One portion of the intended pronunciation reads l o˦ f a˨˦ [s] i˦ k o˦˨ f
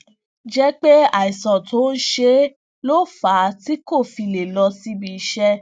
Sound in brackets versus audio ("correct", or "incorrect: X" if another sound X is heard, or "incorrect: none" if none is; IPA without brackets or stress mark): incorrect: t